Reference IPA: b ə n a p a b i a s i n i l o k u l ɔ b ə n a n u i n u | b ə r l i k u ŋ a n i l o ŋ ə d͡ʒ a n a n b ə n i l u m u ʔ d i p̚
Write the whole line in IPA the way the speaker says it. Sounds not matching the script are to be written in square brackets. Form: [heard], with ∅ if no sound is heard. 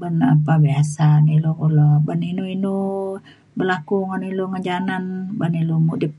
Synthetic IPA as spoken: b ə n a p a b i a s [a] n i l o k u l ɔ b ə n [i] n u i n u | b ə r l [a] k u ŋ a n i l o ŋ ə d͡ʒ a n a n b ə n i l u m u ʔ d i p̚